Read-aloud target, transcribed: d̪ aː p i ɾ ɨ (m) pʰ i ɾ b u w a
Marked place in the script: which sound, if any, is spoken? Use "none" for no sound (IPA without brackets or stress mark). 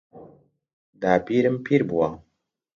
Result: m